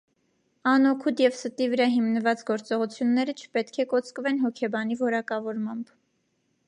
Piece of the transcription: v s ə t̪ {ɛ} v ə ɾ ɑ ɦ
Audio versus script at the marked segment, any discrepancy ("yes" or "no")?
yes